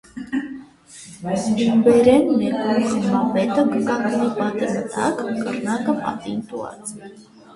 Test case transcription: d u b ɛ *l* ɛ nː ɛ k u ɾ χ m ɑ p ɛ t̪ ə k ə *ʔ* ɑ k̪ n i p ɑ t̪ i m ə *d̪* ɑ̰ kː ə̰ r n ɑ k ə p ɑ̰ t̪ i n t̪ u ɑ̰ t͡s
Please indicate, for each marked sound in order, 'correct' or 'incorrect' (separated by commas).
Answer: incorrect, incorrect, incorrect